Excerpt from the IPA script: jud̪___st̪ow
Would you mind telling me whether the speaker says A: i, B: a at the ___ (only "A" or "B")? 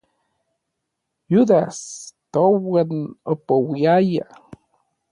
B